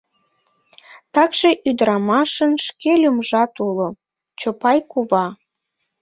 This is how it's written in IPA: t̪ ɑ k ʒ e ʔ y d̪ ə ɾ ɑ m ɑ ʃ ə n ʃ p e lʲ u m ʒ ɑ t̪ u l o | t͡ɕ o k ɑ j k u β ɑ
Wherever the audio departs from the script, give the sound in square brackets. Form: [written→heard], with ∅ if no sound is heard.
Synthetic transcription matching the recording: t̪ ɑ k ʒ e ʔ y d̪ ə ɾ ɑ m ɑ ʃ ə n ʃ [p→k] e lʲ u m ʒ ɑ t̪ u l o | t͡ɕ o [k→p] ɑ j k u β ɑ